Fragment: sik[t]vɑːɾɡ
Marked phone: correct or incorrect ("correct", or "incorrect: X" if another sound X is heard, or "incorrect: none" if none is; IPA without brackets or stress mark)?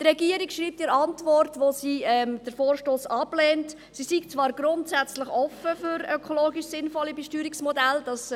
incorrect: t͡s